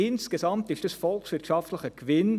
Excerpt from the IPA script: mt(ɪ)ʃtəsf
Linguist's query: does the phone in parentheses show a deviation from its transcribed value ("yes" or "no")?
no